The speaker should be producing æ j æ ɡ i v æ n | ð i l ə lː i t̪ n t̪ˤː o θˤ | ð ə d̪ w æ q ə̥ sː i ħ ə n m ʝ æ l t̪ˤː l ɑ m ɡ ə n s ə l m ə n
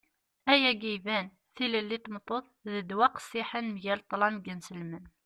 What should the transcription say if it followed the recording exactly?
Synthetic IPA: æ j æ ɡ i v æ n | θ i l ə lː i t̪ m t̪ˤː o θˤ | ð ə d̪ w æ q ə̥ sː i ħ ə n m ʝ æ l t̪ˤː l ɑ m ɡ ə n s ə l m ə n